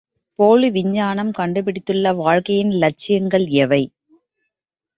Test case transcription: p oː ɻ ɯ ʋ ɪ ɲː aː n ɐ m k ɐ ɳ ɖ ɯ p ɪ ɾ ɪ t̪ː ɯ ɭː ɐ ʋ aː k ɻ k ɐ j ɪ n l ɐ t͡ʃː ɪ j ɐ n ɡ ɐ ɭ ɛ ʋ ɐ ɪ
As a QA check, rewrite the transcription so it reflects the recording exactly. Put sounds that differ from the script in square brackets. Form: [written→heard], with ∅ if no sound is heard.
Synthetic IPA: p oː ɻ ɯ ʋ ɪ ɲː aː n ɐ m k ɐ ɳ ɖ ɯ p ɪ [ɾ→ɽ] ɪ t̪ː ɯ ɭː ɐ ʋ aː [k→∅] ɻ k ɐ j ɪ n l ɐ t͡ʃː ɪ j ɐ [n→ŋ] ɡ ɐ ɭ ɛ ʋ ɐ ɪ